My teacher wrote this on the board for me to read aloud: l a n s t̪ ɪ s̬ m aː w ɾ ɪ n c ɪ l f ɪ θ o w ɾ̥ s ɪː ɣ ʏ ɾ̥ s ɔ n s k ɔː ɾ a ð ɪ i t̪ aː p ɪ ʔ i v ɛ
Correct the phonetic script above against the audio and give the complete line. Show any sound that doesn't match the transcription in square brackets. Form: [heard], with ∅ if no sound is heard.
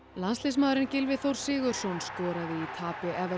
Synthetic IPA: l a n s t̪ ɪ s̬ m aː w ɾ ɪ n c ɪ l [v] ɪ θ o w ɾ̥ s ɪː ɣ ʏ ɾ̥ s ɔ n s k ɔː ɾ a ð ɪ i [t̪ʰ] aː p ɪ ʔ [ɛ] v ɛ